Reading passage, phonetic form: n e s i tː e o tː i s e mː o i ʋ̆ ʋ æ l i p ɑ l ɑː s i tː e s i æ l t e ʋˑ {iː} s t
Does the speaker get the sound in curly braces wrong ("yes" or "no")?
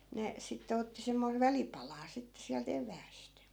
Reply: yes